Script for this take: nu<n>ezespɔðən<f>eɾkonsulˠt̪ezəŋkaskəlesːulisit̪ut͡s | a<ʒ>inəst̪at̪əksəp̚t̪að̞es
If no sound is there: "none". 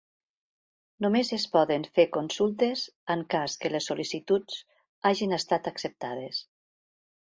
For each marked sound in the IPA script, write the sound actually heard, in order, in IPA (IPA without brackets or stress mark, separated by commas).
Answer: m, f, ʒ